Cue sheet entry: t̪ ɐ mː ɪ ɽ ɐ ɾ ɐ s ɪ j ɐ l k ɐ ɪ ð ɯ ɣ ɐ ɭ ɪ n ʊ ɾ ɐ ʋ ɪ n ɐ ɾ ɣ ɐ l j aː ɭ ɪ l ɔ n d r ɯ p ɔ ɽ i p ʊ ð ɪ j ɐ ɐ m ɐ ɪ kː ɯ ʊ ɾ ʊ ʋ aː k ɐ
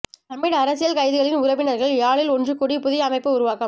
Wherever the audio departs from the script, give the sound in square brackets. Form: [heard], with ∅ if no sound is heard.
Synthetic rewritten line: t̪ ɐ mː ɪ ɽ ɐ ɾ ɐ s ɪ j ɐ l k ɐ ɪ ð ɯ ɣ ɐ ɭ ɪ n ʊ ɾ ɐ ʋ ɪ n ɐ ɾ ɣ ɐ [ɭ] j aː ɭ ɪ l ɔ n d r ɯ [k] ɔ ɽ i p ʊ ð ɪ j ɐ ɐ m ɐ ɪ [pː] ɯ ʊ ɾ ʊ ʋ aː k ɐ

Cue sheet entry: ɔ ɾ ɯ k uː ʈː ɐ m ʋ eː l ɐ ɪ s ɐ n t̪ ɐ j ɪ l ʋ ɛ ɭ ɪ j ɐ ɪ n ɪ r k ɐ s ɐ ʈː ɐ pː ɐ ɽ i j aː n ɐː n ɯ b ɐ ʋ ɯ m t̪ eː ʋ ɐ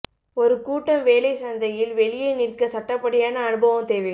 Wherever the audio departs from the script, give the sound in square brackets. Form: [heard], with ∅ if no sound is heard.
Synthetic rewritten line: ɔ ɾ ɯ k uː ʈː ɐ m ʋ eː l ɐ ɪ s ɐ n [d̪] ɐ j ɪ l ʋ ɛ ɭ ɪ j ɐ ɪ n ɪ r k ɐ s ɐ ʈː ɐ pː ɐ ɽ [ɪ] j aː n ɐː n ɯ b ɐ ʋ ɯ m t̪ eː ʋ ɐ

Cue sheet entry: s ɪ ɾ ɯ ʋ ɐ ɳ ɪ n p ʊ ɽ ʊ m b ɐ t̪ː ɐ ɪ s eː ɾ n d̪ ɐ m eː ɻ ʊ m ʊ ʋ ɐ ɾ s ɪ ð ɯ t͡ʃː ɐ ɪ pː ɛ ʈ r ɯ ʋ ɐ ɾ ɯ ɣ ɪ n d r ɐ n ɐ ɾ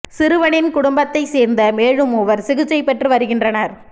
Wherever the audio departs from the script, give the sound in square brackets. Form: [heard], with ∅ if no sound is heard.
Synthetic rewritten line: s ɪ ɾ ɯ ʋ ɐ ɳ ɪ n [k] ʊ ɽ ʊ m b ɐ t̪ː ɐ ɪ s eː ɾ n d̪ ɐ m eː ɻ [ɯ] m ʊ ʋ ɐ ɾ s ɪ [ɣ] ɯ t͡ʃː ɐ ɪ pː ɛ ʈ r ɯ ʋ ɐ ɾ ɯ ɣ ɪ n d r ɐ n ɐ ɾ

